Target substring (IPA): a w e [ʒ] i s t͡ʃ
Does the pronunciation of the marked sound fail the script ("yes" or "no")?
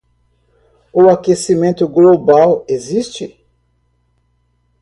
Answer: yes